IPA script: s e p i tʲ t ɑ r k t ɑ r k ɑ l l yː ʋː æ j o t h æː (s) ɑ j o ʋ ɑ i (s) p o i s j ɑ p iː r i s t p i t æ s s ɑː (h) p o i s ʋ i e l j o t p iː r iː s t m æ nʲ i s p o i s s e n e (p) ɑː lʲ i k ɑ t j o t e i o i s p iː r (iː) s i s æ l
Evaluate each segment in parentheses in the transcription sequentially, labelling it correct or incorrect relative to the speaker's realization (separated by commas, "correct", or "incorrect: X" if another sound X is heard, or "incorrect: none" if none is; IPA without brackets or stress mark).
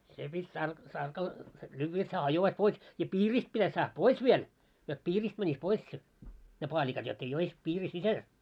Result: incorrect: h, correct, correct, correct, incorrect: i